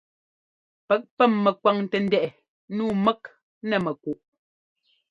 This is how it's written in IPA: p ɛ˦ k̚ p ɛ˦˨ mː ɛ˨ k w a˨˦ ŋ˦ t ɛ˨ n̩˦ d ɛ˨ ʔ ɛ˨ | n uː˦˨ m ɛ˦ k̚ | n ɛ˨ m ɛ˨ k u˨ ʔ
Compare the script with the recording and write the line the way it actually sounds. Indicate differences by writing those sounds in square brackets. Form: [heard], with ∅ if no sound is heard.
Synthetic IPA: p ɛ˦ k̚ p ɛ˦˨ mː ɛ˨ k w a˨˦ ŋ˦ t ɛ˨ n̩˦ d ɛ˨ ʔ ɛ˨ | n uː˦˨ m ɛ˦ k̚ | n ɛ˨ m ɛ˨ k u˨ ʔ

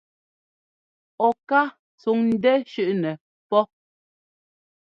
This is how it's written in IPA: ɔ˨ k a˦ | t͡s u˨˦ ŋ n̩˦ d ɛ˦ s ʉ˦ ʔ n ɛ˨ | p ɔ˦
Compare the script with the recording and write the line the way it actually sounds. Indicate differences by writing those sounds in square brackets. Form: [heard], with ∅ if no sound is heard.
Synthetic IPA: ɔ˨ k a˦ | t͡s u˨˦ ŋ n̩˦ d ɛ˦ [ʃ] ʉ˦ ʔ n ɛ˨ | p ɔ˦

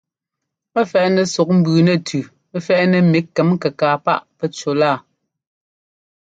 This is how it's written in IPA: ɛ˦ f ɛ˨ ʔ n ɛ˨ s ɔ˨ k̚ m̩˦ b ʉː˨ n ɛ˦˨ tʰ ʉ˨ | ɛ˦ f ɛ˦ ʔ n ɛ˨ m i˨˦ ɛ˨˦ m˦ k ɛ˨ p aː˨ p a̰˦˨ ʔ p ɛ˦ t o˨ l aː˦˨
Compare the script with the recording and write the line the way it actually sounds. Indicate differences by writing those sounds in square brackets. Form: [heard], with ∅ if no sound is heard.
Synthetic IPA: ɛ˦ f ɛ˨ ʔ n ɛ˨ s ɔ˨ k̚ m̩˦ b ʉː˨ n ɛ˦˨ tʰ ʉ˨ | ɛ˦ f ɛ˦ ʔ n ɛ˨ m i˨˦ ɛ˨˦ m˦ k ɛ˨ [k] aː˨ p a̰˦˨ ʔ p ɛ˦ [t͡ʃ] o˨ l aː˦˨

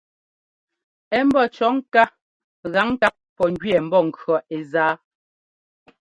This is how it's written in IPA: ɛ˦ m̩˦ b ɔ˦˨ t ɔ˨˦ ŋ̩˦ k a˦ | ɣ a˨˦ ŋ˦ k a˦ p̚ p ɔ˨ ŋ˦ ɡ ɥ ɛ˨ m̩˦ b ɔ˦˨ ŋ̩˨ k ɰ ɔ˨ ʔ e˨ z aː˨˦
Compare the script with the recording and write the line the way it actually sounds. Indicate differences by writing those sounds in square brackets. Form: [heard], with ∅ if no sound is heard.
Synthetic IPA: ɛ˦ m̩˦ b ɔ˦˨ [t͡ʃ] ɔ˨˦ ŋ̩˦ k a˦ | ɣ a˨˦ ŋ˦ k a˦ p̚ p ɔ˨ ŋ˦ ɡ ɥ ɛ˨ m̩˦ b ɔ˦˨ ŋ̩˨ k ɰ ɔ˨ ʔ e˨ z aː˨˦

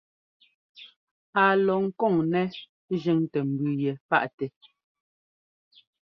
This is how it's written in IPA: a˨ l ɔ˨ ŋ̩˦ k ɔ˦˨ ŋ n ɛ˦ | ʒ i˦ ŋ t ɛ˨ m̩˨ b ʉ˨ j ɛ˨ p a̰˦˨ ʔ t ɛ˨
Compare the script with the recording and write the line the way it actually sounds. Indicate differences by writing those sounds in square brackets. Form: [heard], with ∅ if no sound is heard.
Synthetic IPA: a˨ l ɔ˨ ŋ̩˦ k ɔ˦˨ ŋ n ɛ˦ | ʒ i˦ ŋ t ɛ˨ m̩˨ b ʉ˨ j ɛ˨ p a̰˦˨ ʔ t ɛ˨

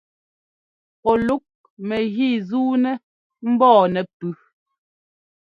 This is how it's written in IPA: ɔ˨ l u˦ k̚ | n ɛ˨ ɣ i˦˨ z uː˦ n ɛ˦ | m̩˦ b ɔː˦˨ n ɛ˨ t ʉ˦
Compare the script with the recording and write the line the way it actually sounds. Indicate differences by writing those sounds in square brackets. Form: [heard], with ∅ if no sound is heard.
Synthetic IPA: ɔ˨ l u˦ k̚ | [m] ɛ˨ ɣ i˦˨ z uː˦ n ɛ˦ | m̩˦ b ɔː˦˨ n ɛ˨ [p] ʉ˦

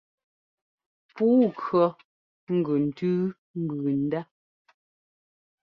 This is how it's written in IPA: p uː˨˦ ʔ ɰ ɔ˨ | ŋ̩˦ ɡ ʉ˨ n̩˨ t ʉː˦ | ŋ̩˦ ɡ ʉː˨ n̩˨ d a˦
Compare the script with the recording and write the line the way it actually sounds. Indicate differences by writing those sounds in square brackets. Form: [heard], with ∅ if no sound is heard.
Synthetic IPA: p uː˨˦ [k] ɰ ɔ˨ | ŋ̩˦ ɡ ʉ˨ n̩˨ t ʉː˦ | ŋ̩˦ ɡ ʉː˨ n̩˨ d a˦

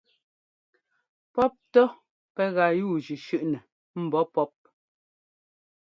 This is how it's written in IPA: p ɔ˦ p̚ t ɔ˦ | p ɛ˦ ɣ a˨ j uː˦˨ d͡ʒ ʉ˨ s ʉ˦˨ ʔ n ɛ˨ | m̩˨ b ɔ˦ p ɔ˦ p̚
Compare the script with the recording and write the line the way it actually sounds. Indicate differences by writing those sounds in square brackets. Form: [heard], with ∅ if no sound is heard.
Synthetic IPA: p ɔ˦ p̚ t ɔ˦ | p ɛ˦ ɣ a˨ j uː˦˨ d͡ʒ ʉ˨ [ʃ] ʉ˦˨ ʔ n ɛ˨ | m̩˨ b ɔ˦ p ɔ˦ p̚

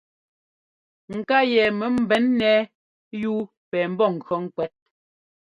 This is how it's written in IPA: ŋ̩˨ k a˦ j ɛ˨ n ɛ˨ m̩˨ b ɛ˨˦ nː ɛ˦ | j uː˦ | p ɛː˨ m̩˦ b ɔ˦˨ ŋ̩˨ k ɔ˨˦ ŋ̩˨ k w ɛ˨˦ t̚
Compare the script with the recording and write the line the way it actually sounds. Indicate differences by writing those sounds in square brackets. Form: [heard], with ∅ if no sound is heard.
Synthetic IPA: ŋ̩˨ k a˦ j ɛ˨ [m] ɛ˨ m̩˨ b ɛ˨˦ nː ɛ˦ | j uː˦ | p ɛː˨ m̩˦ b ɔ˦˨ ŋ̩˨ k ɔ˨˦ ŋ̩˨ k w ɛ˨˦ t̚

